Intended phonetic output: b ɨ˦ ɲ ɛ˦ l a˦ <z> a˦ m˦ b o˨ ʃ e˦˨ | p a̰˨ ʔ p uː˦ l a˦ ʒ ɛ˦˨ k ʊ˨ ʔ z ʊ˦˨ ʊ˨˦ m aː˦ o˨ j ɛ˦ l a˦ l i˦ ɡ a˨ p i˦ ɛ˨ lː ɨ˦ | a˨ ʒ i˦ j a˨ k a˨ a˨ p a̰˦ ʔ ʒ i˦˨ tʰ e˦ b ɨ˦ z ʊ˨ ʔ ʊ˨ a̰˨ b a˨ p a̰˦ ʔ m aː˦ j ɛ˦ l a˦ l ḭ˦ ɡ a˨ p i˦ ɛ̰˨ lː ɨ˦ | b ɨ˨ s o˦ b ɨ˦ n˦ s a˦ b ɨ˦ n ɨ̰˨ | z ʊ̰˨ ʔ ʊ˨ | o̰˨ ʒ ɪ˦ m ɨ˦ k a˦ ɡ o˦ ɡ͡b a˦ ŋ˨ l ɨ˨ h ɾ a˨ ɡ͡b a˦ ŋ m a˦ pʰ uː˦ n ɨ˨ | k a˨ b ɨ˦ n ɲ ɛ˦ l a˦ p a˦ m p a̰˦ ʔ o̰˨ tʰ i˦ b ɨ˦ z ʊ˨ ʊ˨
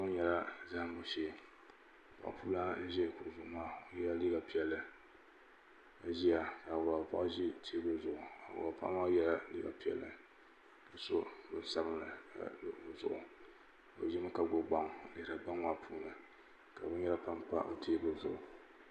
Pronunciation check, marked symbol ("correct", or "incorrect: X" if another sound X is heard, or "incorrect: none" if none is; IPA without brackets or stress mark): correct